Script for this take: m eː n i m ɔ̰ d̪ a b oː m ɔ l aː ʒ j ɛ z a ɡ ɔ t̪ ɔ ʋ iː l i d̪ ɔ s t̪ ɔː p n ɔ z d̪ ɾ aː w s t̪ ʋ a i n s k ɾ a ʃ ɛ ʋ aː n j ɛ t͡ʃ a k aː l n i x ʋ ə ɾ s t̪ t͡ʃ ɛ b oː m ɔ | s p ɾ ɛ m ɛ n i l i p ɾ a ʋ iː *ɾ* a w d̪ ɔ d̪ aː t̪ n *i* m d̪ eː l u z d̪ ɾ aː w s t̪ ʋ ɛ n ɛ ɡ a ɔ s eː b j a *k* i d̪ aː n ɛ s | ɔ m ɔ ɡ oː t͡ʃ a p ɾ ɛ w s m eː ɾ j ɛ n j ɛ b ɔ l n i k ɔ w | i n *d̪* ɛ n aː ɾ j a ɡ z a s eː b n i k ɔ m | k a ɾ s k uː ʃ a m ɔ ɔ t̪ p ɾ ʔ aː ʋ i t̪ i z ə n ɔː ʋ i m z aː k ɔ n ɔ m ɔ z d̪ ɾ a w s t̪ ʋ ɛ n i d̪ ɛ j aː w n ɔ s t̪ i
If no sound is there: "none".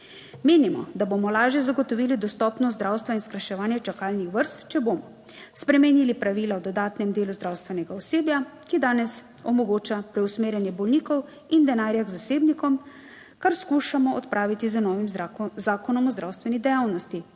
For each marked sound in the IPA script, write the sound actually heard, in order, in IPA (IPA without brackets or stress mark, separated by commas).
l, ɛ, k, d̪